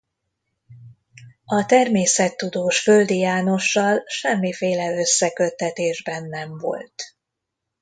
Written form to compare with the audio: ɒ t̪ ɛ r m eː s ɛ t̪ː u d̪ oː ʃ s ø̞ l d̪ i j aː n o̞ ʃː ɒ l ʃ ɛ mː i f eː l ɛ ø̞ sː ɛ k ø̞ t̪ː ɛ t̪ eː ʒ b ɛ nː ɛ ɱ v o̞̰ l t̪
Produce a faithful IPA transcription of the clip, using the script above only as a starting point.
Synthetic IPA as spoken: ɒ t̪ ɛ r m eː s ɛ t̪ː u d̪ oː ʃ f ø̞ l d̪ i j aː n o̞ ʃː ɒ l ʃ ɛ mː i f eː l ɛ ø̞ sː ɛ k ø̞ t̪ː ɛ t̪ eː ʒ b ɛ nː ɛ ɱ v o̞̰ l t̪

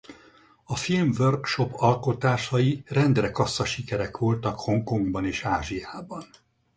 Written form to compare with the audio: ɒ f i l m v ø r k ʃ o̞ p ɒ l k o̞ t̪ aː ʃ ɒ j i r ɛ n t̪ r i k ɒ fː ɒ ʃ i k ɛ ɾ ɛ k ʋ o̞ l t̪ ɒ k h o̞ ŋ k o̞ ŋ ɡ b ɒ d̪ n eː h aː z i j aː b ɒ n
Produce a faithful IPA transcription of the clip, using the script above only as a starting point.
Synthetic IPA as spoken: ɒ f i l m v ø r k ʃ o̞ p ɒ l k o̞ t̪ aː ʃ ɒ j i r ɛ n d̪ r ɛ k ɒ sː ɒ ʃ i k ɛ ɾ ɛ k ʋ o̞ l t̪ ɒ k h o̞ ŋ k o̞ ŋ ɡ b ɒ n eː ʃ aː ʒ i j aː b ɒ n

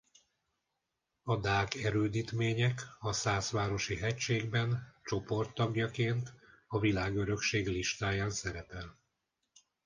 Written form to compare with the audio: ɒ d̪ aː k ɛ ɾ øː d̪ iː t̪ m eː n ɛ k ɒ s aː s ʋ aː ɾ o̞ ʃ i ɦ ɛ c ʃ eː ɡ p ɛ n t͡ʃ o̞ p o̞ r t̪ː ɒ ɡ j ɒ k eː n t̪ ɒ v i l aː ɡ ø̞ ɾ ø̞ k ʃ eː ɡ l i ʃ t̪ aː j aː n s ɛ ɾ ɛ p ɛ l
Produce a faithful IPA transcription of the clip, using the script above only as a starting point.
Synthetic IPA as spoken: ɒ d̪ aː k ɛ ɾ øː d̪ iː t̪ m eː ɲ ɛ k ɒ s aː s ʋ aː ɾ o̞ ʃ i ɦ ɛ c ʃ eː ɡ b ɛ n t͡ʃ o̞ p o̞ r t̪ː ɒ ɡ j ɒ k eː n t̪ ɒ v i l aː ɡ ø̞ ɾ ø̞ k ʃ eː ɡ l i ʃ t̪ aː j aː n s ɛ ɾ ɛ p ɛ l

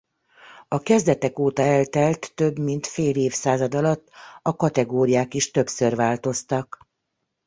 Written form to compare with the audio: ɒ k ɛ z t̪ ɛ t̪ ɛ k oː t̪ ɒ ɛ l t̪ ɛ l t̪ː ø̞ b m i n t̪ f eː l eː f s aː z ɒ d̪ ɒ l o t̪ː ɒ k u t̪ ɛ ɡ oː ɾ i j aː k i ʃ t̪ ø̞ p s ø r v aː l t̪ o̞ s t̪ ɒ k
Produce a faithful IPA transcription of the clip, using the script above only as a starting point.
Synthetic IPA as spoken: ɒ k ɛ z d̪ ɛ t̪ ɛ k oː t̪ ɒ ɛ l t̪ ɛ l t̪ː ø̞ b m i n t̪ f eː l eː f s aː z ɒ d̪ ɒ l ɒ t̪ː ɒ k ɒ t̪ ɛ ɡ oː ɾ i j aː k i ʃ t̪ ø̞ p s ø r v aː l t̪ o̞ s t̪ ɒ k

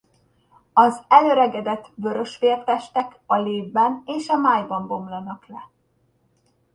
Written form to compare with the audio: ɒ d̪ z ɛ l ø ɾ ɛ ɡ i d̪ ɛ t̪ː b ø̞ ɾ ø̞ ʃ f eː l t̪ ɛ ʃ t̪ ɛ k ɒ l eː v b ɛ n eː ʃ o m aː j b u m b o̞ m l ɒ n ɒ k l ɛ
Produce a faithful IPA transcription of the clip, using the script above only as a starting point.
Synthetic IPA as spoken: ɒ z ɛ l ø ɾ ɛ ɡ ɛ d̪ ɛ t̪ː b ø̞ ɾ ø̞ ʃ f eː r t̪ ɛ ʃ t̪ ɛ k ɒ l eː v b ɛ n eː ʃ ɒ m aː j b ɒ m b o̞ m l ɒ n ɒ k l ɛ

